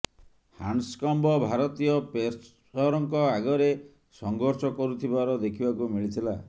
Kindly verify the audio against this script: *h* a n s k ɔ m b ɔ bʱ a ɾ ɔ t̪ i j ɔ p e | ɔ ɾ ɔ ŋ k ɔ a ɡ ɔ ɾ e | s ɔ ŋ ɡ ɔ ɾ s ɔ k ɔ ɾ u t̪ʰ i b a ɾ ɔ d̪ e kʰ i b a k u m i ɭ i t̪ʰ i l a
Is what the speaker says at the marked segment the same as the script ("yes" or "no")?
yes